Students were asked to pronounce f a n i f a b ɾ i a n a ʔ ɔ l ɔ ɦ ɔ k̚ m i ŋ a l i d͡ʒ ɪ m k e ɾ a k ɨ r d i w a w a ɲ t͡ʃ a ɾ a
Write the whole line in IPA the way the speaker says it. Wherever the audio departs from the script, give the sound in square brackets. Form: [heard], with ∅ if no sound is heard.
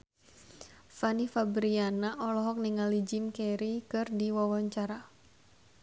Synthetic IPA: f a n i f a b ɾ i a n a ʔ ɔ l ɔ ɦ ɔ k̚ [n] i ŋ a l i d͡ʒ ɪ m k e ɾ [i] k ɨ r d i w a w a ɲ t͡ʃ a ɾ a